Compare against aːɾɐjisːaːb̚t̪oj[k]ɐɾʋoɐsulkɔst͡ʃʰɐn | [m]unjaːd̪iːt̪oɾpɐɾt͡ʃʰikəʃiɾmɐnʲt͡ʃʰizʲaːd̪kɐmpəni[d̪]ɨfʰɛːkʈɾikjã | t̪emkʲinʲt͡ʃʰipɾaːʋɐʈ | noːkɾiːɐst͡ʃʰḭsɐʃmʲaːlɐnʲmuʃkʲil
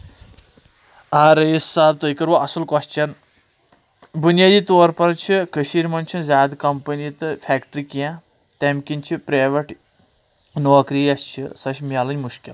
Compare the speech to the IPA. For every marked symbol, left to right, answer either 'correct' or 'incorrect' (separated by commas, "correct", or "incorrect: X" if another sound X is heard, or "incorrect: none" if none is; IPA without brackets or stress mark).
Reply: correct, incorrect: b, incorrect: t̪